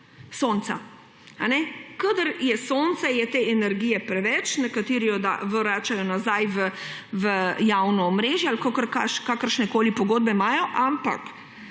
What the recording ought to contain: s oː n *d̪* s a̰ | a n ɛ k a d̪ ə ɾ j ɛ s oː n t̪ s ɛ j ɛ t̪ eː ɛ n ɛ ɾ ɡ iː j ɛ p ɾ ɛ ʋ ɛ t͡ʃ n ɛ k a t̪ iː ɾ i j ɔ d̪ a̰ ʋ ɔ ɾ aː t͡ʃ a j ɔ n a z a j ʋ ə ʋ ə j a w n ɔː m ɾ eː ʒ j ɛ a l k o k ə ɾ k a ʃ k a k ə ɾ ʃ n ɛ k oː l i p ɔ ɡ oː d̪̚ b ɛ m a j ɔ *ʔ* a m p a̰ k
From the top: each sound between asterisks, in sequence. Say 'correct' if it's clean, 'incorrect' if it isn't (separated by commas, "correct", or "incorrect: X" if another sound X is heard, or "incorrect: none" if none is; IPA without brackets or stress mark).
incorrect: t̪, correct